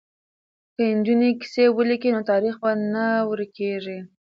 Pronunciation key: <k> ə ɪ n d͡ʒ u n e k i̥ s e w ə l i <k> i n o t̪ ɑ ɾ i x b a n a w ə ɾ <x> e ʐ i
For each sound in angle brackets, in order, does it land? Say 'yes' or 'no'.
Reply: yes, yes, no

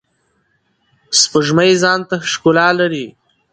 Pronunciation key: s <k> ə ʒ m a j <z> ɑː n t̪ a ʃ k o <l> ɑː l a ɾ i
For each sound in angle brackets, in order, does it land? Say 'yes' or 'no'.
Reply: no, yes, yes

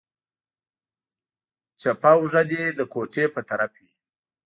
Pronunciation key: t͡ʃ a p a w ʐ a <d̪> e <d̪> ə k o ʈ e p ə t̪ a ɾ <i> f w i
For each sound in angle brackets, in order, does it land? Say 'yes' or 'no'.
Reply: yes, yes, no

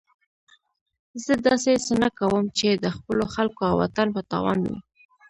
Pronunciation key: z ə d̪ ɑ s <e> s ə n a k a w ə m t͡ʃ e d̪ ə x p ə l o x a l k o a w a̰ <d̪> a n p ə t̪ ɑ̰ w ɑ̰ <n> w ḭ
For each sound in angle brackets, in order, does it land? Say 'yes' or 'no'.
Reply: yes, no, yes

